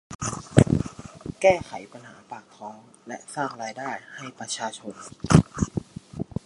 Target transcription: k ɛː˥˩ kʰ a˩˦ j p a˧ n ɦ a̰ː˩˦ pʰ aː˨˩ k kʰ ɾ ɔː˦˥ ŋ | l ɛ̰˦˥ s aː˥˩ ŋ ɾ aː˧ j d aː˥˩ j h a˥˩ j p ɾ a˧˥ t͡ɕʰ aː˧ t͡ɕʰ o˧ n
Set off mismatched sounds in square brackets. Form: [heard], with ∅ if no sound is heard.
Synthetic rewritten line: k ɛː˥˩ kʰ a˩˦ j p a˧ n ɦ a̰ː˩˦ [p] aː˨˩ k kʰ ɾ ɔː˦˥ ŋ | l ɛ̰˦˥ s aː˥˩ ŋ ɾ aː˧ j d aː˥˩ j h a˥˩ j p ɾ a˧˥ t͡ɕʰ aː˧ t͡ɕʰ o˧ n